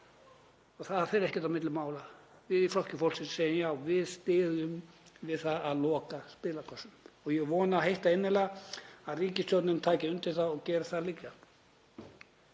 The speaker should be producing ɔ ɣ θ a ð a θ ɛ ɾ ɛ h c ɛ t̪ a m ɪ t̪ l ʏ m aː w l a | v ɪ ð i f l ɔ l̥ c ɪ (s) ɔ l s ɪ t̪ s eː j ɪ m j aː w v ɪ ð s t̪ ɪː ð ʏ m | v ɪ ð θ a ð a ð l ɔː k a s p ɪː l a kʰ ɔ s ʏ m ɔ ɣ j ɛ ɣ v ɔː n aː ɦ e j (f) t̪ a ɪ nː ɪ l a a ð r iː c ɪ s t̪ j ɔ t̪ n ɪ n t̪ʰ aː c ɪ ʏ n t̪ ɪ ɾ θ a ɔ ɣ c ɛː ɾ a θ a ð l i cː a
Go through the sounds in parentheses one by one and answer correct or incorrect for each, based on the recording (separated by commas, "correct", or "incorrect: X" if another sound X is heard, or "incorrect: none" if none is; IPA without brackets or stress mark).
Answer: incorrect: f, incorrect: h